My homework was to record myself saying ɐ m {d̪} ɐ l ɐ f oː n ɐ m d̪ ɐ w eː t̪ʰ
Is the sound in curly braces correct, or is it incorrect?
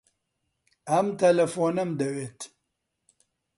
incorrect